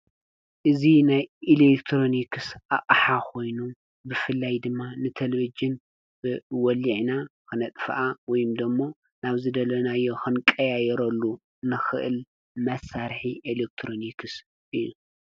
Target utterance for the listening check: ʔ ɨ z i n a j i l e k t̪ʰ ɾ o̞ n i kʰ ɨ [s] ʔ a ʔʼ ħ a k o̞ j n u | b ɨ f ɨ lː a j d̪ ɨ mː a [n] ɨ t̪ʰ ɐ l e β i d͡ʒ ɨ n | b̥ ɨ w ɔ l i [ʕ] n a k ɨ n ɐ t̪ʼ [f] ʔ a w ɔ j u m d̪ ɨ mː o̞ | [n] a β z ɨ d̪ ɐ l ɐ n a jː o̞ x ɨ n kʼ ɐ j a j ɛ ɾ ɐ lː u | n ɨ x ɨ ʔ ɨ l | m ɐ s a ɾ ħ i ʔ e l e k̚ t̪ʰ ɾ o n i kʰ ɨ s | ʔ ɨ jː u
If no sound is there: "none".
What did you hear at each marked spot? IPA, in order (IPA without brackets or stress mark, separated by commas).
s, n, ʕ, f, n